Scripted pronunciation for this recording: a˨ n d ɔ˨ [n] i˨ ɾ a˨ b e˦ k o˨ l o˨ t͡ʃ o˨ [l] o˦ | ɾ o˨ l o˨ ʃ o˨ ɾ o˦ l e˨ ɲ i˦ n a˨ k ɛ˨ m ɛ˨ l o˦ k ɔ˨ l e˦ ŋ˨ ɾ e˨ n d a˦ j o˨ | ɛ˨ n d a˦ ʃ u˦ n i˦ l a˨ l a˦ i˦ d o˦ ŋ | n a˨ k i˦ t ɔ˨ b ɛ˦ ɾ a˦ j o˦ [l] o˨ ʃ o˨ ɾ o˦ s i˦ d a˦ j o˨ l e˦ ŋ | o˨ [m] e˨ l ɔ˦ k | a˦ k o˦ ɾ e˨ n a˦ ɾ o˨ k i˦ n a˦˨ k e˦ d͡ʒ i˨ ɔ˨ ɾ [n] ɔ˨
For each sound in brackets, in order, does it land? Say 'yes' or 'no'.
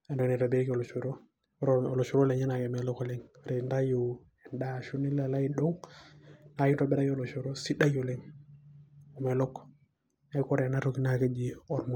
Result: yes, no, yes, yes, no

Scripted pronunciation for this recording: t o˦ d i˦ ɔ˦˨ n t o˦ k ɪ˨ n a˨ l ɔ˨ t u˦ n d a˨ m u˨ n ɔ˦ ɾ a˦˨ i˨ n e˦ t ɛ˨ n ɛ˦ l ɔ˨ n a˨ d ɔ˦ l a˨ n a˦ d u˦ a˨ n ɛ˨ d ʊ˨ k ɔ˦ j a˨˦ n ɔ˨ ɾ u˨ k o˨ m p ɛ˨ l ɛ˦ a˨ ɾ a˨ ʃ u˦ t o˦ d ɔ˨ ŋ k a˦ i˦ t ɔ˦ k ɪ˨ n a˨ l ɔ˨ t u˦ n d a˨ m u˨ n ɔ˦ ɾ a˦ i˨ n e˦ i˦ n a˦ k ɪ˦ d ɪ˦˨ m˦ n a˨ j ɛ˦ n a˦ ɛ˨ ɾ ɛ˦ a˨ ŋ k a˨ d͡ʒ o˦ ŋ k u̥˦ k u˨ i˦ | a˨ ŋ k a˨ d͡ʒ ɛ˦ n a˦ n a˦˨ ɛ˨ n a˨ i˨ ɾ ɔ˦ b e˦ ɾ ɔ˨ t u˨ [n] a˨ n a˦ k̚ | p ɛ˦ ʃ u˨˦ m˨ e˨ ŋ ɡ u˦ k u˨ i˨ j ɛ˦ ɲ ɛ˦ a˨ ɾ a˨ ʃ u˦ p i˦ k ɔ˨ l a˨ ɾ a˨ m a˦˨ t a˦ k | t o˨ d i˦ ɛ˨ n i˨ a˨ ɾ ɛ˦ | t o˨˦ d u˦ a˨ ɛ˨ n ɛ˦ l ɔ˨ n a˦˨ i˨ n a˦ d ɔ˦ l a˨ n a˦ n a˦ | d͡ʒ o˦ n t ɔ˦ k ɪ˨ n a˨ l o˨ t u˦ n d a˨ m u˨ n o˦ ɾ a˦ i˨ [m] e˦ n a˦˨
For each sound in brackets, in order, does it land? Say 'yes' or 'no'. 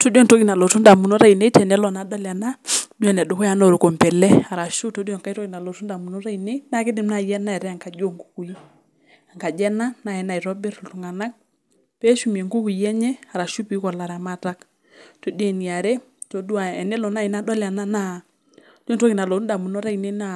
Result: no, no

